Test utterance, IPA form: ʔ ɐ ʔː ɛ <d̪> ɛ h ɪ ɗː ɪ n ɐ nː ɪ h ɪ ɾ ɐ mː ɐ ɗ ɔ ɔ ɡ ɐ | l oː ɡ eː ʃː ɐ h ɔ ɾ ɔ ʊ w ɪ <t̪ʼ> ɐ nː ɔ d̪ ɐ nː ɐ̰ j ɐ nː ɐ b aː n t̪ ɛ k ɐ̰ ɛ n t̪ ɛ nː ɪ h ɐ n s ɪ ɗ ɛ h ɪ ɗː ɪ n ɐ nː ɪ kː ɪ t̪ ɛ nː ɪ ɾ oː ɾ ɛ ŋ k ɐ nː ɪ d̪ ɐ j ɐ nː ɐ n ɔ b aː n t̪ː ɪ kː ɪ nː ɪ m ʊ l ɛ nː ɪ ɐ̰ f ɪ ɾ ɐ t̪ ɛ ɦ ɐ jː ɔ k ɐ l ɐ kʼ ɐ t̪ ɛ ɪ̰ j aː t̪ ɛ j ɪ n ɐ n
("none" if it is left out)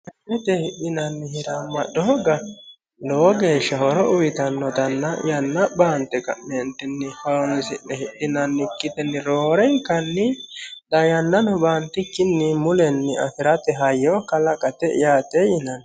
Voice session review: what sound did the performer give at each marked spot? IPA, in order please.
t̪, t̪

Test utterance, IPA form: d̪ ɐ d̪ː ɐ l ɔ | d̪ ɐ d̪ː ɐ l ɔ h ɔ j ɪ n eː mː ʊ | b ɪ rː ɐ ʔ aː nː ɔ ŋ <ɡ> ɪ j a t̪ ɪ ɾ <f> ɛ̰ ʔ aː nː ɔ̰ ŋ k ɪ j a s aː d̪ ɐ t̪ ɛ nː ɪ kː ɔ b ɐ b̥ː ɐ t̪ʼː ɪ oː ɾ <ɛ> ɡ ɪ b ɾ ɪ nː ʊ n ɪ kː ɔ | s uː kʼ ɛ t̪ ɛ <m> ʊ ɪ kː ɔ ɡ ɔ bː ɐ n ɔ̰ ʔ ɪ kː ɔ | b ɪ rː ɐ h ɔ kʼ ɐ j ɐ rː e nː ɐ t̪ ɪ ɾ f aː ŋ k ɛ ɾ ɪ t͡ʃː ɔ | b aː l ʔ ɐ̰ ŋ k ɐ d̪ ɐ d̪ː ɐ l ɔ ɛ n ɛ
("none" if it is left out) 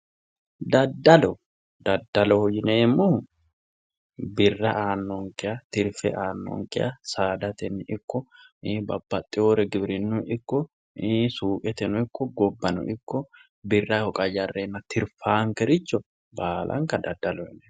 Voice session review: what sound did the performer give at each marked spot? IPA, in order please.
k, f, ɛ, n

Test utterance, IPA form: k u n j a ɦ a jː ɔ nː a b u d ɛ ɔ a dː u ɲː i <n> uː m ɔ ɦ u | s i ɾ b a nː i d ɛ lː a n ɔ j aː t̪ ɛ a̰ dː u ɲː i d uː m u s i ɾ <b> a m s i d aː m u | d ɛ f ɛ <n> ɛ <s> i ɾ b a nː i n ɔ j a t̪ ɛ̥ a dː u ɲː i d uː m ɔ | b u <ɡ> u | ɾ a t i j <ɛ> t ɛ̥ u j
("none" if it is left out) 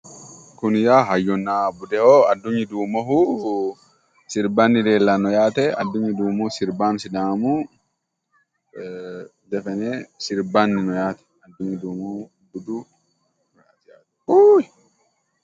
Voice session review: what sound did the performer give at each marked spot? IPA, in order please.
d, b, n, s, d, a

